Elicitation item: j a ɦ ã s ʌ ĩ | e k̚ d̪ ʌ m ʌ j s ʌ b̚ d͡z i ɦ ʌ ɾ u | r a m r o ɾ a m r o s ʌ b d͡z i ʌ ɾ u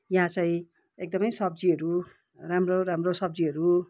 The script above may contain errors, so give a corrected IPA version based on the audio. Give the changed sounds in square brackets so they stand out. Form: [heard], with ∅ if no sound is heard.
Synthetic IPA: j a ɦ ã [t͡s] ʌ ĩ | e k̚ d̪ ʌ m ʌ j s ʌ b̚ d͡z i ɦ ʌ ɾ u | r a m r o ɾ a m r o s ʌ b d͡z i ʌ ɾ u